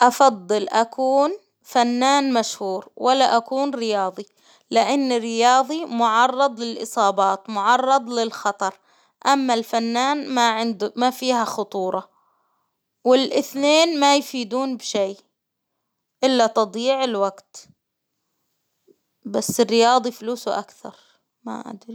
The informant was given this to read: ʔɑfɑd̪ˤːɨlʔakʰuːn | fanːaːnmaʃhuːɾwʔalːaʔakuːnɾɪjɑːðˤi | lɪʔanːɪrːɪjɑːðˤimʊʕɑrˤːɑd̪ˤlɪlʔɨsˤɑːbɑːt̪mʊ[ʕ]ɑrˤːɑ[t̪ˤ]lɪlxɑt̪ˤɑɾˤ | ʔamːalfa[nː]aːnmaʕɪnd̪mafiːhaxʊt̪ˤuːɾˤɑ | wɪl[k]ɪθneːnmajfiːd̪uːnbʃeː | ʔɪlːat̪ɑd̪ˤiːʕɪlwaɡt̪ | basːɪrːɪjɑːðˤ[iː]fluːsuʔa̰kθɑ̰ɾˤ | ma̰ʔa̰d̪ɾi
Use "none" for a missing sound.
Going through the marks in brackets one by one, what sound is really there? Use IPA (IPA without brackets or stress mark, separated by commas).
ʕ, d̪ˤ, nː, ʔ, i